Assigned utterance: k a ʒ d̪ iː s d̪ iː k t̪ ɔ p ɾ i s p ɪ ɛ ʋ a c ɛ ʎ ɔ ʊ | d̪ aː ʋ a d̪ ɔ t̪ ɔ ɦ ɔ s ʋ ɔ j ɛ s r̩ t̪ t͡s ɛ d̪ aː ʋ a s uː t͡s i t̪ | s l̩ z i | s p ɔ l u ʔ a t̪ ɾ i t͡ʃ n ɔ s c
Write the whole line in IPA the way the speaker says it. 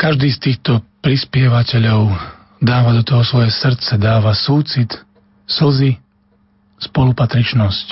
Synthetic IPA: k a ʒ d̪ iː s t̪ iː x t̪ ɔ p ɾ i s p ɪ ɛ ʋ a c ɛ ʎ ɔ ʊ | d̪ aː ʋ a d̪ ɔ t̪ ɔ ɦ ɔ s ʋ ɔ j ɛ s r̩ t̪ t͡s ɛ d̪ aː ʋ a s uː t͡s i t̪ | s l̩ z i | s p ɔ l u p a t̪ ɾ i t͡ʃ n ɔ s c